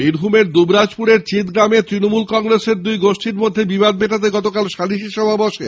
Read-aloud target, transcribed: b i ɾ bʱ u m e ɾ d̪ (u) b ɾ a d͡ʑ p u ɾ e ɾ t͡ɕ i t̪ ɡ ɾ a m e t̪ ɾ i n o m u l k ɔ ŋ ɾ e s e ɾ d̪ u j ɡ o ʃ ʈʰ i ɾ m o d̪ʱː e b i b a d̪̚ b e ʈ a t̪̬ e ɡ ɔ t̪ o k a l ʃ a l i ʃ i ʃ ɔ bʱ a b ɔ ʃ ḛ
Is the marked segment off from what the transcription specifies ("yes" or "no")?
no